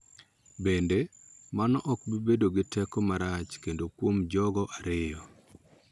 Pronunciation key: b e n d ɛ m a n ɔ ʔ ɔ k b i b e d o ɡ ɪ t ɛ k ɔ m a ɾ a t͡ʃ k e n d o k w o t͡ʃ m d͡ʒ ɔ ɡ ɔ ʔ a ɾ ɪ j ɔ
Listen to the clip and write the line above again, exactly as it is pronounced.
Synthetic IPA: b e n d e m a n ɔ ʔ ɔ k b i b e d o ɡ ɪ t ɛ k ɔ m a ɾ a t͡ʃ k e n d o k w o m d͡ʒ ɔ ɡ ɔ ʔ a ɾ ɪ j ɔ

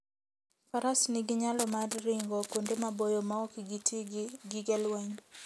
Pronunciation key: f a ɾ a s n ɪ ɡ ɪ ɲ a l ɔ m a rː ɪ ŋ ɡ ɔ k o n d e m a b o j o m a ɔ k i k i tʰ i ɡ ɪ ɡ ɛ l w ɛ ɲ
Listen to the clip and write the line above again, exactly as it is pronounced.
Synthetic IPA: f a ɾ a s n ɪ ɡ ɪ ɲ a l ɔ m a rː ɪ ŋ ɡ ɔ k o n d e m a b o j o m a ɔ k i ɡ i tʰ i ɡ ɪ ɡ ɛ l w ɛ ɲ

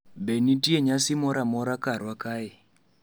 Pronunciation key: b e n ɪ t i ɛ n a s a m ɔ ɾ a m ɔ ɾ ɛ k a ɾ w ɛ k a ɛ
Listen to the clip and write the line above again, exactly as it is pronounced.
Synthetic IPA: b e n i t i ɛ ɲ a s i m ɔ ɾ a m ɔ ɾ a k a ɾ w a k a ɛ

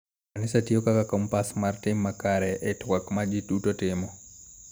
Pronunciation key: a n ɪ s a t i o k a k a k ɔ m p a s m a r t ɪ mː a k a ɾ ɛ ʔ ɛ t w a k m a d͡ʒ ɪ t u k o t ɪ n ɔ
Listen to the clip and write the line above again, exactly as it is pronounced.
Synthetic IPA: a n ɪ s a t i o k a k a k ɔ m p a s m a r t ɪ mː a k a ɾ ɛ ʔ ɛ t w a k m a d͡ʒ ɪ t u t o t ɪ m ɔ

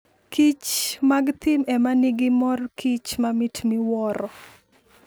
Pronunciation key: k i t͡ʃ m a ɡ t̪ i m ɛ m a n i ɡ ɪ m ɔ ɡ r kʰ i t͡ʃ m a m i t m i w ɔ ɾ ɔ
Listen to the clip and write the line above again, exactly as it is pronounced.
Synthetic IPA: k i t͡ʃ m a ɡ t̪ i m ɛ m a n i ɡ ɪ m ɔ r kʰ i t͡ʃ m a m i t m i w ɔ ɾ ɔ

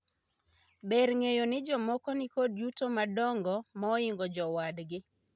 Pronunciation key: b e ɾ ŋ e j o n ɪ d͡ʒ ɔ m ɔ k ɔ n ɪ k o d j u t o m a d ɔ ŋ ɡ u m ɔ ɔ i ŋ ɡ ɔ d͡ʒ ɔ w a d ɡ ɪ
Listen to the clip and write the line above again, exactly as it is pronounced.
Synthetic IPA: b e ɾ ŋ e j o n ɪ d͡ʒ ɔ m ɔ k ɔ n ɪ k o d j u t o m a d ɔ ŋ ɡ ɔ m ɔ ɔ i ŋ ɡ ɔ d͡ʒ ɔ w a d ɡ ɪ

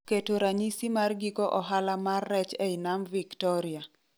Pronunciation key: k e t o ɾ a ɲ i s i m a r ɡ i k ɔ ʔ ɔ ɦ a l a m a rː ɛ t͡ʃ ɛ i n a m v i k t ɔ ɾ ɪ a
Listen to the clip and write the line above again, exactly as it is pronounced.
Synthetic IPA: k e t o ɾ a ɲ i s i m a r ɡ i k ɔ ʔ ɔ ɦ a l a m a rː ɛ t͡ʃ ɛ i n a m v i k t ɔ ɾ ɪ a

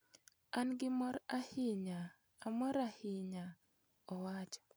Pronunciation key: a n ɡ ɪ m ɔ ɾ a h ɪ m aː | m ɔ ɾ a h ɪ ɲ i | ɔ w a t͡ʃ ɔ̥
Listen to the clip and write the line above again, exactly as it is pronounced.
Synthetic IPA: a n ɡ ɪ m ɔ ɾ a h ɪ ɲ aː | m ɔ ɾ a h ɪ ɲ a | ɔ w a t͡ʃ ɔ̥

